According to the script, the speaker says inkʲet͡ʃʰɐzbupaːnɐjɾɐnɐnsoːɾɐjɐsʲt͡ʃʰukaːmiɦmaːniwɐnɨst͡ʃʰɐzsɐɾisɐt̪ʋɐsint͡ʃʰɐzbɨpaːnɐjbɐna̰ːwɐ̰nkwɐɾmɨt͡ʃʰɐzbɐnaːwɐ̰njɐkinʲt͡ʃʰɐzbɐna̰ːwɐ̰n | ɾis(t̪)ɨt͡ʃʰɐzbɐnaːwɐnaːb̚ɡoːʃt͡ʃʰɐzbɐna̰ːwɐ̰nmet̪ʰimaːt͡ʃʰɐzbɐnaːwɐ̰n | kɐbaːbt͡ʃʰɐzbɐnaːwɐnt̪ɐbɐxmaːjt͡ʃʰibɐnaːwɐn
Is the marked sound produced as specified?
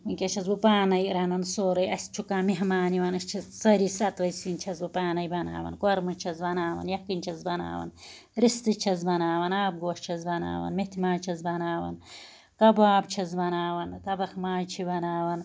yes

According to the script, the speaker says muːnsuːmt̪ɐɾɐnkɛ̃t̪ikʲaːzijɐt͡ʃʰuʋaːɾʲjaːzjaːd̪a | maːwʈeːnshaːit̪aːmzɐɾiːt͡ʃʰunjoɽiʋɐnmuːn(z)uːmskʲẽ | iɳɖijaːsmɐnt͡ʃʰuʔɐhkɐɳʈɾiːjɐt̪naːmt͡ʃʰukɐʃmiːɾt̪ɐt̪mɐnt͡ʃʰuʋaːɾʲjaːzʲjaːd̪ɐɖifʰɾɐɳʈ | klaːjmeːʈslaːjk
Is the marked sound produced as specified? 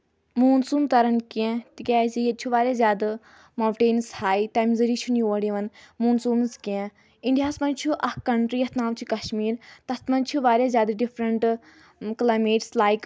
no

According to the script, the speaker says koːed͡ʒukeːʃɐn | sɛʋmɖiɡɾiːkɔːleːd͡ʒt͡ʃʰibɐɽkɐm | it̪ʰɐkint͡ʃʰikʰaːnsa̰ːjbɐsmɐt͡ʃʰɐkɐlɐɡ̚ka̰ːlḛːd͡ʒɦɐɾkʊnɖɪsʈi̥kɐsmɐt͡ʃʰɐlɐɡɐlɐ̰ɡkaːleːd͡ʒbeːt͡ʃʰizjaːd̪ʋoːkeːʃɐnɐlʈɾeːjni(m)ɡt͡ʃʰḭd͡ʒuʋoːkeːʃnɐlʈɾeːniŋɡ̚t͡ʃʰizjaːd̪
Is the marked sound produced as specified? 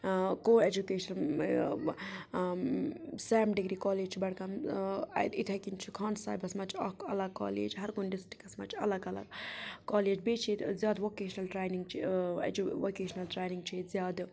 no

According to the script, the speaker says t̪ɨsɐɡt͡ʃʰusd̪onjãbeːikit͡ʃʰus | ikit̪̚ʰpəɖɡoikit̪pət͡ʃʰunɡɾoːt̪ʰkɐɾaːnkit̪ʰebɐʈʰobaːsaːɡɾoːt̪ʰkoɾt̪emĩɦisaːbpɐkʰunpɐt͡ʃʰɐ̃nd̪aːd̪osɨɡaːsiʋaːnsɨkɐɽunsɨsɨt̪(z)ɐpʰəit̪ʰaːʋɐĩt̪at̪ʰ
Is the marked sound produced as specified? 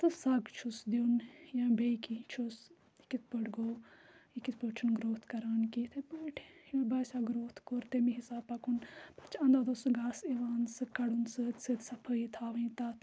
no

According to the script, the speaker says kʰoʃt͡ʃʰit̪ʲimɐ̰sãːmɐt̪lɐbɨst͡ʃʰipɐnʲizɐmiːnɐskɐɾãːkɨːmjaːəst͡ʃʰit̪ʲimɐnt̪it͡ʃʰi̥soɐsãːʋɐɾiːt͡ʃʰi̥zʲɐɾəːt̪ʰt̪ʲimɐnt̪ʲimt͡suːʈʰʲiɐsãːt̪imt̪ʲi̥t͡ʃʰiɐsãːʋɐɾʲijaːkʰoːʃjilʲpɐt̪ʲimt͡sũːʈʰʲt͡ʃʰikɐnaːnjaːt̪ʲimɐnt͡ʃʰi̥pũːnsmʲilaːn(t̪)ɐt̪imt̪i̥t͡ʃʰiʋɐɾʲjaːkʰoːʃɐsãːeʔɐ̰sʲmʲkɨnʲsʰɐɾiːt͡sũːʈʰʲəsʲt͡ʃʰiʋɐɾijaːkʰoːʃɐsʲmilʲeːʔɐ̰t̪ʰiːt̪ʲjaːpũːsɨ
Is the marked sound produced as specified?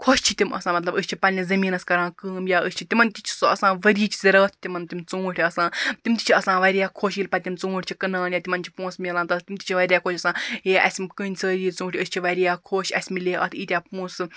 yes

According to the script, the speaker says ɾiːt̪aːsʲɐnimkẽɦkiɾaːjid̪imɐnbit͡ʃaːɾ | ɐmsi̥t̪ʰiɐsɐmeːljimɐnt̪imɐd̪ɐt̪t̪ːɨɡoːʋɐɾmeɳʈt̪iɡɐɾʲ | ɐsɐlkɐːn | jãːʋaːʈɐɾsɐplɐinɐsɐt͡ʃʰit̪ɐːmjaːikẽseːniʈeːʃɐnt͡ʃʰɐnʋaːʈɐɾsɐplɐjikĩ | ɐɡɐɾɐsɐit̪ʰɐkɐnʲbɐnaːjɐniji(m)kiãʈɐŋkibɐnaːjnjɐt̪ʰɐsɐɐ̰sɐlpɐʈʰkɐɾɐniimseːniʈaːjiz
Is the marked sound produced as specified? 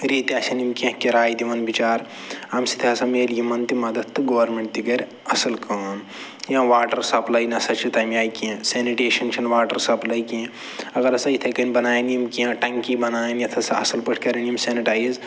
yes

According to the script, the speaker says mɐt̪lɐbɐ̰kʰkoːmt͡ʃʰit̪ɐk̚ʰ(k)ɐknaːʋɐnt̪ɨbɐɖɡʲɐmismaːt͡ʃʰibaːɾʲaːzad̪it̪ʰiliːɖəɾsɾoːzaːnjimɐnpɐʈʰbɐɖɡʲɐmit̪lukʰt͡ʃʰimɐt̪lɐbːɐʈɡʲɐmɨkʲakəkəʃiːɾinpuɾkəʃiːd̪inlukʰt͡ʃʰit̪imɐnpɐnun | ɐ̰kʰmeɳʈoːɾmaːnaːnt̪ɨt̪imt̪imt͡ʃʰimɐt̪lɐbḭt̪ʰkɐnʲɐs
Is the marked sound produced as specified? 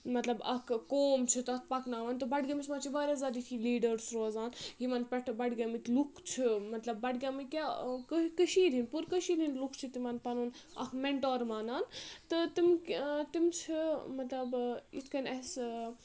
no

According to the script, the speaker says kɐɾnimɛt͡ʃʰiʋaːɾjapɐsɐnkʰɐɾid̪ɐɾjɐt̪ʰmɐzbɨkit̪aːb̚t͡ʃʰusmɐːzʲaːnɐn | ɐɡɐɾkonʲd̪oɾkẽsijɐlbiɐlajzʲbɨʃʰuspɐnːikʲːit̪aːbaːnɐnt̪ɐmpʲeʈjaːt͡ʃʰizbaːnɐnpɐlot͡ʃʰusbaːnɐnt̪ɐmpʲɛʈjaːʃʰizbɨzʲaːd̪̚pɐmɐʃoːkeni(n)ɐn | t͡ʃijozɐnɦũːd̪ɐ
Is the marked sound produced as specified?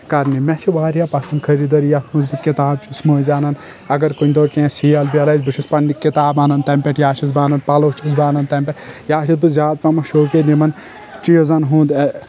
no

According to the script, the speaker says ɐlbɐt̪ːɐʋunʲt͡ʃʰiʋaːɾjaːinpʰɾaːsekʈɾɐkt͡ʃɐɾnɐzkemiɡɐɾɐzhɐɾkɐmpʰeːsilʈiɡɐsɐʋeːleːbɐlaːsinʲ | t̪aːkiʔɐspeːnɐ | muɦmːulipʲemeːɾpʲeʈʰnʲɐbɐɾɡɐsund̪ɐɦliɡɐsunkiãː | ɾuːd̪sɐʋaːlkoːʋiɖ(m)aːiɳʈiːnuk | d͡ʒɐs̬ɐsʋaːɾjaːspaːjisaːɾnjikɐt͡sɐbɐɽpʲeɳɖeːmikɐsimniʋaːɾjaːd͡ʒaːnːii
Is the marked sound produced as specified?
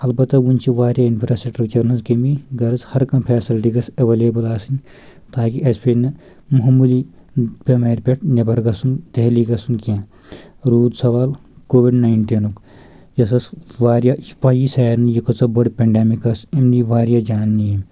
no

